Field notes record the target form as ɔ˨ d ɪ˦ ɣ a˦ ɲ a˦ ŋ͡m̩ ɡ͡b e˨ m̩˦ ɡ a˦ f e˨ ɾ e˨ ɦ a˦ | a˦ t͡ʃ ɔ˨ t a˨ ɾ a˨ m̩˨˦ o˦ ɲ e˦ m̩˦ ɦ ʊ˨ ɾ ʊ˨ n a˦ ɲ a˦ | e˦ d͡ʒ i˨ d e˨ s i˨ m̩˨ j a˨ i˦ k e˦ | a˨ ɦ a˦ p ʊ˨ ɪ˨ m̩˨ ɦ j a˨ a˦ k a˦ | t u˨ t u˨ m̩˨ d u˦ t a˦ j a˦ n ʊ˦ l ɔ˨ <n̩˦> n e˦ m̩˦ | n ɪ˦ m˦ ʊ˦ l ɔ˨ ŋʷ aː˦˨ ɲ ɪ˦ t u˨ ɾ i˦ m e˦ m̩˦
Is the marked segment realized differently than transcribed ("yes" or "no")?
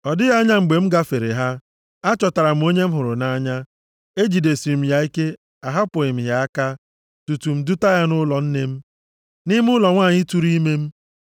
no